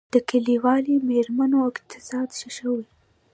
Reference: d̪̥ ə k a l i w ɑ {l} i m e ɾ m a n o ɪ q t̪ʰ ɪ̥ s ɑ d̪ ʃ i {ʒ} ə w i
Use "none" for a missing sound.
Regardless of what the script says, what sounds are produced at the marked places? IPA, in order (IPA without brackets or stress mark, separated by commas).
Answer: l, ʃ